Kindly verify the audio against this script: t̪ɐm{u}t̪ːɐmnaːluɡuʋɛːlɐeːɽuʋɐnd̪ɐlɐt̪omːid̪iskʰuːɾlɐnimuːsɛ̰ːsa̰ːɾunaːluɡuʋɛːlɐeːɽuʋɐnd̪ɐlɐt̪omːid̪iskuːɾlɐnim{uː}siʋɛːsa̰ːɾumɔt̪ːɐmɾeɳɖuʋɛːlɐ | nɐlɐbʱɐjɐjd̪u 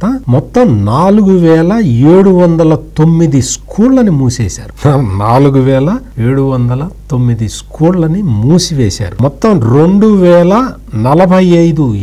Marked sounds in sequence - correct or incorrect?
incorrect: ɔ, correct

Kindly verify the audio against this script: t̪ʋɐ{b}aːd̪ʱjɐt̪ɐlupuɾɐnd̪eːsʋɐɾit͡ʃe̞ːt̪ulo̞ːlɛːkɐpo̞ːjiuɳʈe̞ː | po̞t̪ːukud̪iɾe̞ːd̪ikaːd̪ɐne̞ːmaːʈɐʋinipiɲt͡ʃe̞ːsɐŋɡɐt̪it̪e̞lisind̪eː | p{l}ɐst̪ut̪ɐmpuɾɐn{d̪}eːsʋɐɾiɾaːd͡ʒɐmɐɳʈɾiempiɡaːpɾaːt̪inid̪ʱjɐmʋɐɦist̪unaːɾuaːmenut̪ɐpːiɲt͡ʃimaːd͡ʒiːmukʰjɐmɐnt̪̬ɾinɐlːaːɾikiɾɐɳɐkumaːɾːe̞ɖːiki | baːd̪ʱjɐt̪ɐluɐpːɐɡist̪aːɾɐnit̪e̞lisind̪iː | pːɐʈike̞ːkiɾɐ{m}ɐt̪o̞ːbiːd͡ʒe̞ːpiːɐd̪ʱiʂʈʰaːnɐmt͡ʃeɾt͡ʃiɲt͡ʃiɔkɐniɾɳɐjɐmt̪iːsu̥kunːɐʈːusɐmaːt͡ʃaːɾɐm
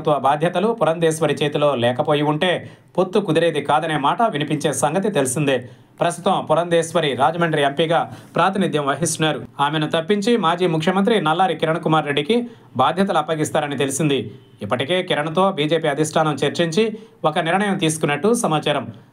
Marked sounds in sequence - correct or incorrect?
correct, incorrect: ɾ, correct, incorrect: ɳ

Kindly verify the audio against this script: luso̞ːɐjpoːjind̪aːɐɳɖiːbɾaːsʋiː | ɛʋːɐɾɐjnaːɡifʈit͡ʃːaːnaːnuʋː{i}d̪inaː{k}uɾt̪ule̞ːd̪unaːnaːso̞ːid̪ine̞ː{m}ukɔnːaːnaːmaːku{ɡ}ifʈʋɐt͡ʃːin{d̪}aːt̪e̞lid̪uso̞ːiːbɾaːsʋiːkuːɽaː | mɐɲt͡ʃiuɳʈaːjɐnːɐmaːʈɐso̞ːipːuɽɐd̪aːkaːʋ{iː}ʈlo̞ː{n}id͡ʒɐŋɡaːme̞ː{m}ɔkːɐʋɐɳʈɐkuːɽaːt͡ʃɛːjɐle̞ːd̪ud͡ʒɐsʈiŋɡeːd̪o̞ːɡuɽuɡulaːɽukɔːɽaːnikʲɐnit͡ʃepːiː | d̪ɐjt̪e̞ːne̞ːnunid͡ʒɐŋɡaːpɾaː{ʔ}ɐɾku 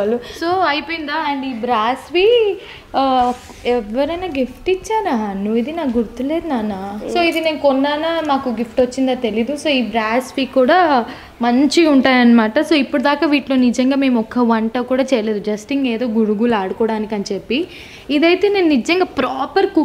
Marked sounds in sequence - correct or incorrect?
correct, incorrect: ɡ, incorrect: n, correct, correct, correct, correct, correct, incorrect: p

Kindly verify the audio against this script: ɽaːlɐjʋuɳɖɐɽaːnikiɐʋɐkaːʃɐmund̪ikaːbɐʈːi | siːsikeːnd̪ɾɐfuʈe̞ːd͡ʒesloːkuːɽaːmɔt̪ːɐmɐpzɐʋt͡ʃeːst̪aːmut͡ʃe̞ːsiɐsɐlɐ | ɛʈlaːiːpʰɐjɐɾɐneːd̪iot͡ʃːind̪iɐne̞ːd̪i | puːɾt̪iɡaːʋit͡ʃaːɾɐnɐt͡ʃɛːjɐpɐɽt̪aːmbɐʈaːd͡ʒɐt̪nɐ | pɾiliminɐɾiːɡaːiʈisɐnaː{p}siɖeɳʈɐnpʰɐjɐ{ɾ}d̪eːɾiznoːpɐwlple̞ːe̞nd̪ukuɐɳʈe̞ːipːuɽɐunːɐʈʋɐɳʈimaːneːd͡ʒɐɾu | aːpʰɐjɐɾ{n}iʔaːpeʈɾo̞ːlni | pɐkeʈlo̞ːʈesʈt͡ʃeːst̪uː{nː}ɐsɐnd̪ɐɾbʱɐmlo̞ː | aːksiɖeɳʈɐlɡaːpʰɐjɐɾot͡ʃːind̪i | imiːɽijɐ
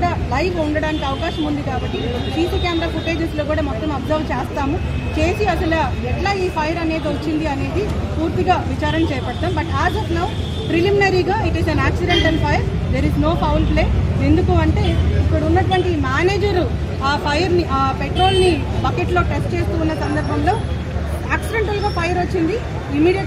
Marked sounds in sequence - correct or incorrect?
incorrect: k, correct, correct, correct

